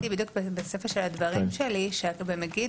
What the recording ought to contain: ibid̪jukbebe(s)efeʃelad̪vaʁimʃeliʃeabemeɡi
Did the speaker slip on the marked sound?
no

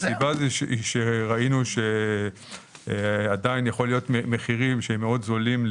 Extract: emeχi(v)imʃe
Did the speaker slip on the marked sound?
yes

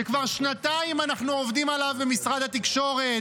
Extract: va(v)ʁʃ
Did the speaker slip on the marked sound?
yes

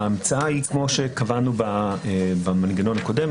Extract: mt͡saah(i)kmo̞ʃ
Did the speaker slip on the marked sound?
no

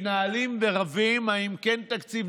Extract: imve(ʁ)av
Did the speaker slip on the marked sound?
no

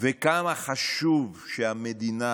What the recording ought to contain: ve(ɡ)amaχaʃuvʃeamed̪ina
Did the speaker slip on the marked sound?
yes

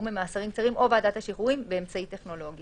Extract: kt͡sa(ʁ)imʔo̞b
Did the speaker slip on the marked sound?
no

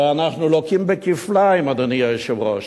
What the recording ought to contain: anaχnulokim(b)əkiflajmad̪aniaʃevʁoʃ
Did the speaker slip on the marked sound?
no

